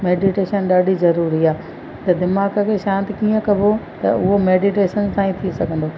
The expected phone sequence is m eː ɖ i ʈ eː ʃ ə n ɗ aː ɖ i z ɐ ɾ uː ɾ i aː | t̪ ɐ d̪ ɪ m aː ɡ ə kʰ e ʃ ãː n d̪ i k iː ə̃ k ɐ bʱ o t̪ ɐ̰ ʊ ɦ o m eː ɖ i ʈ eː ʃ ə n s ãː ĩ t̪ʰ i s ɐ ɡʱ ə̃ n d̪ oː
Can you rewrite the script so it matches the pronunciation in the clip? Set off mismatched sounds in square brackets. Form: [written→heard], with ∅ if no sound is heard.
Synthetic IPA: m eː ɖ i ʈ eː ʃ ə n ɗ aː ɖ i z ɐ ɾ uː ɾ i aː | t̪ ɐ d̪ ɪ m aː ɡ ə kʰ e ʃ ãː n [d̪→t̪] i k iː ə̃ k ɐ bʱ o t̪ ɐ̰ ʊ ɦ o m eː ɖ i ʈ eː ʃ ə n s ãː ĩ t̪ʰ i s ɐ ɡʱ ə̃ n d̪ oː